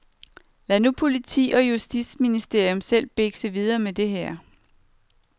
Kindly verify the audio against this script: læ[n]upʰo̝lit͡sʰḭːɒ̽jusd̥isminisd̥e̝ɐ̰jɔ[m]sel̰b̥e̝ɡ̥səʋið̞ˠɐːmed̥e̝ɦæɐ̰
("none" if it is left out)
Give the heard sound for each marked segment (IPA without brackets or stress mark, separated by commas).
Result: n, m